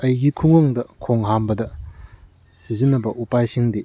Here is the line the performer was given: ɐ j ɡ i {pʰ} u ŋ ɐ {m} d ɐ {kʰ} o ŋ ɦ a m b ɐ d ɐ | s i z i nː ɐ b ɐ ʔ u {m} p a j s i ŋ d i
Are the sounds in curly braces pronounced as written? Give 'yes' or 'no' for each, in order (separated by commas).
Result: no, no, yes, no